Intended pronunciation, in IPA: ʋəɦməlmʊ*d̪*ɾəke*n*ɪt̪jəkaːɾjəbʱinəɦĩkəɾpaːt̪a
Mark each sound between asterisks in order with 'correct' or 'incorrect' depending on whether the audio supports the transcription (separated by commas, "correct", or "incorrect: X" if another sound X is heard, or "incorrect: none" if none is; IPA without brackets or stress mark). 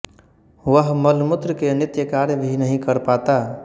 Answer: incorrect: t̪, correct